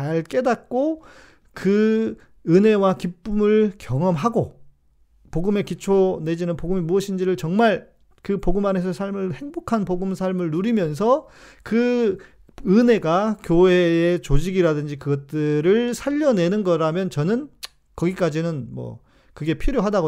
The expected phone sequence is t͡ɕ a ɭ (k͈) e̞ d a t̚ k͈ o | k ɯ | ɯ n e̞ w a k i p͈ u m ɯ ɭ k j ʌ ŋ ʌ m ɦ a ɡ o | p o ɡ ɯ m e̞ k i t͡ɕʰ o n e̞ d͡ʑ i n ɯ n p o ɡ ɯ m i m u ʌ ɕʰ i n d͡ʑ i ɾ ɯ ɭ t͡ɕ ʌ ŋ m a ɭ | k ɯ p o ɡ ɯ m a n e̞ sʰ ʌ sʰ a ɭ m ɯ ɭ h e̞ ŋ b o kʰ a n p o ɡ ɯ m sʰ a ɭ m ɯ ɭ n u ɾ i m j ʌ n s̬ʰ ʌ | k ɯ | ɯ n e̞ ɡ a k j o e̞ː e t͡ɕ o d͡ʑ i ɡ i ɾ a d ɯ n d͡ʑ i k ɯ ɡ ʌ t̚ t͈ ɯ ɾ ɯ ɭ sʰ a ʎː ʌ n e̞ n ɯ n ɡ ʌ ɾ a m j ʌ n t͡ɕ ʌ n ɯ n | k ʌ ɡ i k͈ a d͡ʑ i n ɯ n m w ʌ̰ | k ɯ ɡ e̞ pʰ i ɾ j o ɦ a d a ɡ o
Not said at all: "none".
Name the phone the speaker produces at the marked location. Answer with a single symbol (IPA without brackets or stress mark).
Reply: k͈